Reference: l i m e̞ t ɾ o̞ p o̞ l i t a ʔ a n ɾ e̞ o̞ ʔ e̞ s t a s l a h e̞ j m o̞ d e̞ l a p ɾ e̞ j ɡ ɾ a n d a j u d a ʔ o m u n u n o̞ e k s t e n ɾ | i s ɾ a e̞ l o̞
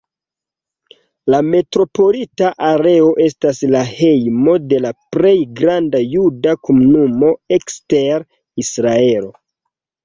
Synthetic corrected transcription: l a m e̞ t ɾ o̞ p o̞ l i t a ʔ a ɾ e̞ o̞ ʔ e̞ s t a s l a h e̞ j m o̞ d e̞ l a p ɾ e̞ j ɡ ɾ a n d a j u d a k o m u n u m o̞ e k s t e ɾ | i s ɾ a e̞ l o̞